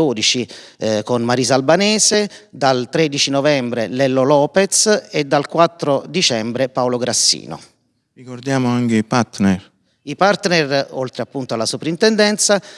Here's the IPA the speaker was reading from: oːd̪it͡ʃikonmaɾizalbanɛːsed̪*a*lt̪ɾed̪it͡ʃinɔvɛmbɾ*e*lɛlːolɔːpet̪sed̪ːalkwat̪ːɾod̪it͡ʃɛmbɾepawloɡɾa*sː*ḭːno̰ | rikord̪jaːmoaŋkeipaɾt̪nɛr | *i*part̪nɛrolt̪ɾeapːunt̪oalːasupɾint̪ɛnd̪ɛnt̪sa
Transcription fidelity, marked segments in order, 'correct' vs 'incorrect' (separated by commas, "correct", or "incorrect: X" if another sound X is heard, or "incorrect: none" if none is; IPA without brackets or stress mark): correct, correct, correct, correct